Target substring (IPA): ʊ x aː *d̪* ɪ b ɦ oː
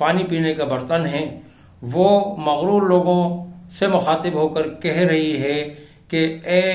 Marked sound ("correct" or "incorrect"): incorrect